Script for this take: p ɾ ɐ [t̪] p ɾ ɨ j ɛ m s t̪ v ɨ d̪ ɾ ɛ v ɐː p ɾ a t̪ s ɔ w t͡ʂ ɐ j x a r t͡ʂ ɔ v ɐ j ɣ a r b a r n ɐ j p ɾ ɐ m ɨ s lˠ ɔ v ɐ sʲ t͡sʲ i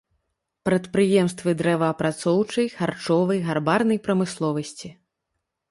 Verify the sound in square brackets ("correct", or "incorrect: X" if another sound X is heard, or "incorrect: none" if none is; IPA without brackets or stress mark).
correct